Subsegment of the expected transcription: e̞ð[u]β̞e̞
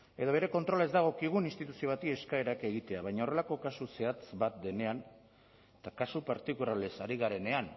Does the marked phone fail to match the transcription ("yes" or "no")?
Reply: yes